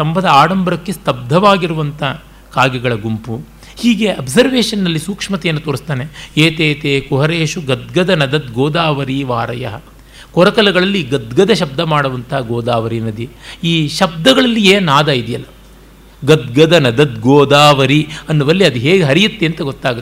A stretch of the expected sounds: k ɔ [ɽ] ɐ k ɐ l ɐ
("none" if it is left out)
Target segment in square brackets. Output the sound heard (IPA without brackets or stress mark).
ɾ